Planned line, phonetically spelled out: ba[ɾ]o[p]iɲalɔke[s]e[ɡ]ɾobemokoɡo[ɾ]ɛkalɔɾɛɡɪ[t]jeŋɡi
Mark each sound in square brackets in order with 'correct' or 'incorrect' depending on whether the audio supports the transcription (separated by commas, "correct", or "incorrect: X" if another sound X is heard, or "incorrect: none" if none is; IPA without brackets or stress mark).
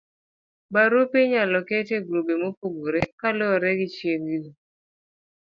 correct, correct, incorrect: t, correct, correct, incorrect: t͡ʃ